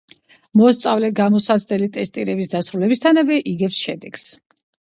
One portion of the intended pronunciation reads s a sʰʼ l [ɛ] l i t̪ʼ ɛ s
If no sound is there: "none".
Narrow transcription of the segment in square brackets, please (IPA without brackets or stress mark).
ɛ